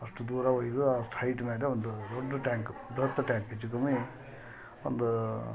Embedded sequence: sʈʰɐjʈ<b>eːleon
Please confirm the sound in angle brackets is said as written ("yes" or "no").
no